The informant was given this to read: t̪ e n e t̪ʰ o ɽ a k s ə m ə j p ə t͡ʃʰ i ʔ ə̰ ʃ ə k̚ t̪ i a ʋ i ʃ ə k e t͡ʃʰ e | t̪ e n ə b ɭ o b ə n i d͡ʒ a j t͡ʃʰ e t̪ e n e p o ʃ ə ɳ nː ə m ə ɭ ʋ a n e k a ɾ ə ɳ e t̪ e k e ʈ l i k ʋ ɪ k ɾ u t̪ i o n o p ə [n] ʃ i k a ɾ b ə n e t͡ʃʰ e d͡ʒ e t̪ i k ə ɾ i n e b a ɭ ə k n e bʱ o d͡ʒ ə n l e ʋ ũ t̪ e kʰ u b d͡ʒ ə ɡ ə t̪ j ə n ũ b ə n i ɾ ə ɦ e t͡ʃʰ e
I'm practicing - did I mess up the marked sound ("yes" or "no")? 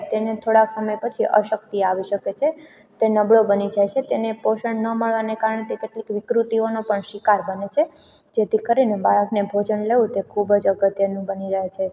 yes